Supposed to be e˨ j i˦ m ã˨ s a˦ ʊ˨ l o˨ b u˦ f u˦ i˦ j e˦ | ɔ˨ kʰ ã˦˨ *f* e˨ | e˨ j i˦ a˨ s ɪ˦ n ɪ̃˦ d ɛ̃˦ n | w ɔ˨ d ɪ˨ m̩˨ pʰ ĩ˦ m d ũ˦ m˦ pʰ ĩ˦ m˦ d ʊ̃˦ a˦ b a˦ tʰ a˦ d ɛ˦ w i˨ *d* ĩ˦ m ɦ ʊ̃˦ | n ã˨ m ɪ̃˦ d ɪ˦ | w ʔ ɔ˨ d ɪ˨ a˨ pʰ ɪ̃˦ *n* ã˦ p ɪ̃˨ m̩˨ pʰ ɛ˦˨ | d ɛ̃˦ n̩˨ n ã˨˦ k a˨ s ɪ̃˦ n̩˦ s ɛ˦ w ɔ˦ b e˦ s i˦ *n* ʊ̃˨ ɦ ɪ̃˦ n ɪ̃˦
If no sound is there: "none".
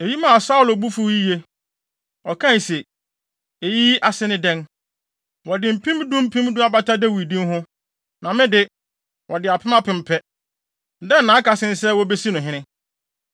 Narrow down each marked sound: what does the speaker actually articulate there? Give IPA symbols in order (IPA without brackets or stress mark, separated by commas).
s, d, m, n